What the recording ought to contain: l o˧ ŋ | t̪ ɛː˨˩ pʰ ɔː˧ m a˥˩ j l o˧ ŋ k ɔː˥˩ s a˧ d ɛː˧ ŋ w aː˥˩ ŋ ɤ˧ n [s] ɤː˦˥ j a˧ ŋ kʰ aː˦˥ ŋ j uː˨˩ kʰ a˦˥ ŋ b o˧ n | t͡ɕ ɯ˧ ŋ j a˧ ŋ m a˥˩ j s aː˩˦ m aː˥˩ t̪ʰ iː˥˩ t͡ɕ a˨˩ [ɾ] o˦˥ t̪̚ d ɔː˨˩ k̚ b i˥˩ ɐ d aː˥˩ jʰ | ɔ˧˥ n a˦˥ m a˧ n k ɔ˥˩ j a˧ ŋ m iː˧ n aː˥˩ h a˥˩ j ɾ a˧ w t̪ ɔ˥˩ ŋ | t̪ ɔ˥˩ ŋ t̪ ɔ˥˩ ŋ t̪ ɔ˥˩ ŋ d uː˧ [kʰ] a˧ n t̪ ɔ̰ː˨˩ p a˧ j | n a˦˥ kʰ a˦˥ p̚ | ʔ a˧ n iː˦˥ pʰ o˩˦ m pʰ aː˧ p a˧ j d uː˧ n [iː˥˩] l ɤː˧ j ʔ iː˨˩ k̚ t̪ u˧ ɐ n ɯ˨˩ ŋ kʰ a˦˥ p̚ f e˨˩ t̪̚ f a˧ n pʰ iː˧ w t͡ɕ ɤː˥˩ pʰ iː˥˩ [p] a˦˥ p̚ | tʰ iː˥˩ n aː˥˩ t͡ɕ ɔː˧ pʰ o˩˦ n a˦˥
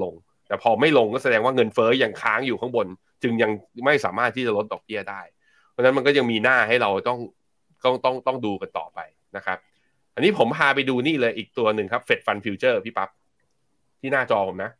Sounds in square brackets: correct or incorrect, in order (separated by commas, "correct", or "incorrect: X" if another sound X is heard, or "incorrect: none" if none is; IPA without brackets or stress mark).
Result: incorrect: f, incorrect: l, incorrect: k, correct, correct